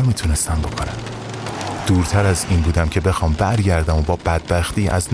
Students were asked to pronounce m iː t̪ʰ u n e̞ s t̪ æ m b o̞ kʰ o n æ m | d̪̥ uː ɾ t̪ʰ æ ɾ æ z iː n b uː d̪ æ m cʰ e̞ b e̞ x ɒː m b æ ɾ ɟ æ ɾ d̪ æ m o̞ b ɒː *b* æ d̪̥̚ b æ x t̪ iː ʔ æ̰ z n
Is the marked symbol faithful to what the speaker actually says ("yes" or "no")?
yes